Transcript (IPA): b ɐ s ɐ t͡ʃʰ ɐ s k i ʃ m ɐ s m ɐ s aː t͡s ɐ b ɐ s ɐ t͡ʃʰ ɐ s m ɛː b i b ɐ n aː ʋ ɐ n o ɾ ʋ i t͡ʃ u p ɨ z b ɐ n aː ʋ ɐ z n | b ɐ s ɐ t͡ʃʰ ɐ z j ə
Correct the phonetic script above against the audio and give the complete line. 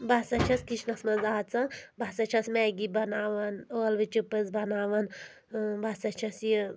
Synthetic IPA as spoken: b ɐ s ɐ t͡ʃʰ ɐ s k i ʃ n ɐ s m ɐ z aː t͡s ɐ b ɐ s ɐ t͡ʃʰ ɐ s m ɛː ɡ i b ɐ n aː ʋ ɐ n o l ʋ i t͡ʃ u p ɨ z b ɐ n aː ʋ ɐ n | b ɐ s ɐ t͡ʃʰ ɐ s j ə